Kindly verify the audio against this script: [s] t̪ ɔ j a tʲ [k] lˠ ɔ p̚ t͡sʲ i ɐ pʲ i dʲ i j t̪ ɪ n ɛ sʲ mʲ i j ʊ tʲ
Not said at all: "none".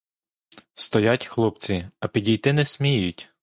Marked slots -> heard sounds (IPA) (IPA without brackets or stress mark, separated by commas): s, x